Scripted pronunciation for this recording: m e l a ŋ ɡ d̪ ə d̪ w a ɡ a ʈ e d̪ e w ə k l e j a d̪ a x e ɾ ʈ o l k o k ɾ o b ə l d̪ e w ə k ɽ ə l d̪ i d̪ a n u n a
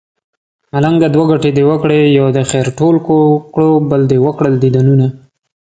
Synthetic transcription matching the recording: m a l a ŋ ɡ d̪ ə d̪ w a ɡ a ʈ e d̪ e w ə k ɽ e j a d̪ ə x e ɾ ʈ o l k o k ɽ o b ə l d̪ e w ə k ɽ ə l d̪ i d̪ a n u n a